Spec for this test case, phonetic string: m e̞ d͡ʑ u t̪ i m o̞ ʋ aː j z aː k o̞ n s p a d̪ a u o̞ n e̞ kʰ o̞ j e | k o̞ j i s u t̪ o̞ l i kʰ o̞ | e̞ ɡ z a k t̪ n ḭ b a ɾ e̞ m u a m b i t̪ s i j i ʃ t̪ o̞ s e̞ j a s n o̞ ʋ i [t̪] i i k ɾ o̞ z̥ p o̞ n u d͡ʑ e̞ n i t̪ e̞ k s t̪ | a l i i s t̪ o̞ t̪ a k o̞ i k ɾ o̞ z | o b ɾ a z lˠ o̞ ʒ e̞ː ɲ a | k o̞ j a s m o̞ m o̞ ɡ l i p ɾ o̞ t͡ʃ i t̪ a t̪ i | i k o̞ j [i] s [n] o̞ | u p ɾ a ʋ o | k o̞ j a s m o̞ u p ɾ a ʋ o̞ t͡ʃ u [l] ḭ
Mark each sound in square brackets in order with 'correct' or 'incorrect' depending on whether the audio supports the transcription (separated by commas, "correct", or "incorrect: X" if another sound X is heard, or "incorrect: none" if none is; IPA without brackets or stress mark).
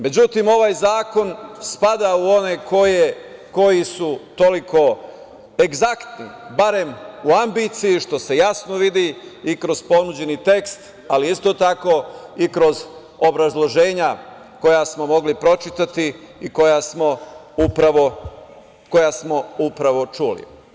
incorrect: d̪, incorrect: a, incorrect: m, correct